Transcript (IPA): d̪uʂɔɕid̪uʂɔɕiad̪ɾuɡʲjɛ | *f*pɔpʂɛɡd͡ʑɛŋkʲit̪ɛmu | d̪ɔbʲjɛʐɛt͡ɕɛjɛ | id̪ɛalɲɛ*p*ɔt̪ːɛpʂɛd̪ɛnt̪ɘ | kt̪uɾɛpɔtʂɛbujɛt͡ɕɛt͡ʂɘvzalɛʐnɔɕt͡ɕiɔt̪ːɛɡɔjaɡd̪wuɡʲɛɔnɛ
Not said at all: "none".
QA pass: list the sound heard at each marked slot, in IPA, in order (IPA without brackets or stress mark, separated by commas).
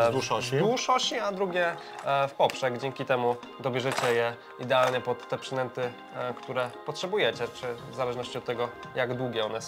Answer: f, p